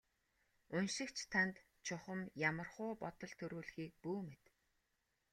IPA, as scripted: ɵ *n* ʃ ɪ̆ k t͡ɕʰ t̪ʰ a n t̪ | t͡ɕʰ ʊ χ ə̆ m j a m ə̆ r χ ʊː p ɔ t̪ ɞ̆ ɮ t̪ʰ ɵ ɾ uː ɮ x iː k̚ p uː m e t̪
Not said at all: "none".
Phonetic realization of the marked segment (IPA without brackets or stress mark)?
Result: n